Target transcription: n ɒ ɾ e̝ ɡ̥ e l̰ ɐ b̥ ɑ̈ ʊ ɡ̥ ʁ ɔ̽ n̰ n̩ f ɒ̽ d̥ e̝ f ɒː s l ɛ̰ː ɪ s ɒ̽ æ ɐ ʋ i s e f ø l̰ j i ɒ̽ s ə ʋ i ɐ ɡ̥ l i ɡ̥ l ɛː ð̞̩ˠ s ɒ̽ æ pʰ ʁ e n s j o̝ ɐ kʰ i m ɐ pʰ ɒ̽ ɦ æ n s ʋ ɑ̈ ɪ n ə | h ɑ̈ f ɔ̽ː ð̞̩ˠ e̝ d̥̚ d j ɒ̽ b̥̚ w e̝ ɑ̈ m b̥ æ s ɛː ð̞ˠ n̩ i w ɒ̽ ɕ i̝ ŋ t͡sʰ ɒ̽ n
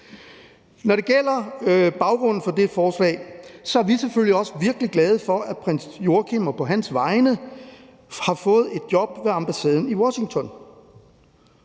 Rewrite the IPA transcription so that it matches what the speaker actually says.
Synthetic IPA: n ɒ ɾ e̝ ɡ̥ e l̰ ɐ b̥ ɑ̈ ʊ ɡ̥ ʁ ɔ̽ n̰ n̩ f ɒ̽ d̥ e̝ f ɒː s l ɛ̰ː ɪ s ɒ̽ æ ɐ ʋ i s e f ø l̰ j i ɒ̽ s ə ʋ i ɐ ɡ̥ l i ɡ̥ l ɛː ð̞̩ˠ f ɒ̽ æ pʰ ʁ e n s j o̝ ɐ kʰ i m ɐ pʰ ɒ̽ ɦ æ n s ʋ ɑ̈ ɪ n ə | h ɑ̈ f ɔ̽ː ð̞̩ˠ e̝ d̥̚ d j ɒ̽ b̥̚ ʋ e̝ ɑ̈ m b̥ æ s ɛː ð̞ˠ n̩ i w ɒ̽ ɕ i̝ ŋ t͡sʰ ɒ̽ n